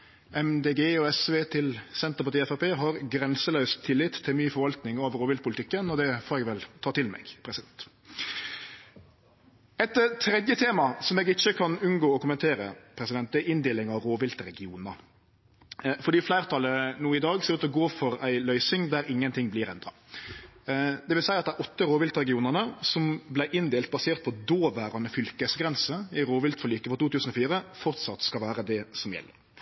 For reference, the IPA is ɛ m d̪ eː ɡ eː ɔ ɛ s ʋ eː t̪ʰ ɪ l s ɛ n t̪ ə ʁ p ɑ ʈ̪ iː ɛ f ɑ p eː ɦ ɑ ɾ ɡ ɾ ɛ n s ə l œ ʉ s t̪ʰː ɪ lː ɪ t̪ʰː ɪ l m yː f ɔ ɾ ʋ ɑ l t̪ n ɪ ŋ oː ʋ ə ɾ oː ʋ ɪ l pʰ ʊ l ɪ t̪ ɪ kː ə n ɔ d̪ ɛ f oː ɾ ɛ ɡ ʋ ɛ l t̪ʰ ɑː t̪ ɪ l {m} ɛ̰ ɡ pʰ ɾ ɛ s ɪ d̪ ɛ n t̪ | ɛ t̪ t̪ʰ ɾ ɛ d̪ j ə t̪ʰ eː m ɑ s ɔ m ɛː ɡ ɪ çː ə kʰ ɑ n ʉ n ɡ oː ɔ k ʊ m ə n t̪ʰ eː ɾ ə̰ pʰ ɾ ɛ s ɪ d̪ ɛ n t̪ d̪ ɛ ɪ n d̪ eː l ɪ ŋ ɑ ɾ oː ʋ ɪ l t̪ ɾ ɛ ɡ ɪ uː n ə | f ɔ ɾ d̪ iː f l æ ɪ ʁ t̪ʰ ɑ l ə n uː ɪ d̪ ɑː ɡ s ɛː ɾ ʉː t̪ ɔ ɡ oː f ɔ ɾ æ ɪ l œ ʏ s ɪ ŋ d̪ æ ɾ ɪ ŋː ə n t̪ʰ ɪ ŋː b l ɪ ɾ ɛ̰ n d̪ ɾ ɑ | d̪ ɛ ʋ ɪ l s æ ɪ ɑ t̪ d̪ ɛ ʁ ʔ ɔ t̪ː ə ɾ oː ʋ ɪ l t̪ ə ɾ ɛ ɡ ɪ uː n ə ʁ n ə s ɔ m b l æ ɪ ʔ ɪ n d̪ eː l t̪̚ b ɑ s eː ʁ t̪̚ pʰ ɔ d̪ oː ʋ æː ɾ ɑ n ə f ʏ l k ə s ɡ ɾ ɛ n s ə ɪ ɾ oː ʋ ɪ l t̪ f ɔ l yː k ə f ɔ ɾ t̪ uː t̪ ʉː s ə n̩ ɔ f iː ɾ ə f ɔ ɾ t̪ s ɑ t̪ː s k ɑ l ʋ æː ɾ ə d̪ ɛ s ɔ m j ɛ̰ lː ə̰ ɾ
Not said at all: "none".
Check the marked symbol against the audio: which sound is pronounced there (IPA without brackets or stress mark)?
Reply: m